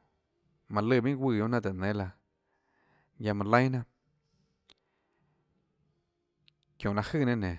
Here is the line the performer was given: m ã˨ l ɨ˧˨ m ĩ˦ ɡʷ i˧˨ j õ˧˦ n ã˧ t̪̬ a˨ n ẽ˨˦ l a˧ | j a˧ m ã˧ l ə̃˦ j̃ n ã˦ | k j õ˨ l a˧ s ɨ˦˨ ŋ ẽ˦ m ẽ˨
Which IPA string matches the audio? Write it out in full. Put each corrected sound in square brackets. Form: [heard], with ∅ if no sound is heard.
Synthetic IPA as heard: m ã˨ l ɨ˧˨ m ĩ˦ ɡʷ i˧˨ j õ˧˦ n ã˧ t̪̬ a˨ n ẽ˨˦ l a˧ | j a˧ m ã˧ l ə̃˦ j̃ n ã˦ | k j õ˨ l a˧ [h] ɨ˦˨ [n] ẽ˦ [n] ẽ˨